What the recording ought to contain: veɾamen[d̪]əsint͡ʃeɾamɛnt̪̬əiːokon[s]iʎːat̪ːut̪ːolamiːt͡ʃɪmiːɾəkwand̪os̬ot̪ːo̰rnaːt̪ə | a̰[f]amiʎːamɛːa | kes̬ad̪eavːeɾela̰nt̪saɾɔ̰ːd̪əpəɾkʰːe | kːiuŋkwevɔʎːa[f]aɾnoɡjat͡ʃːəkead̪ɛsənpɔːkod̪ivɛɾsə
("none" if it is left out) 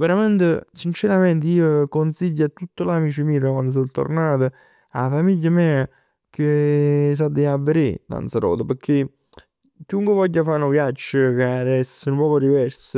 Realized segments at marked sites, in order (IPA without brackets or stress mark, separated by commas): t̪, s, f, f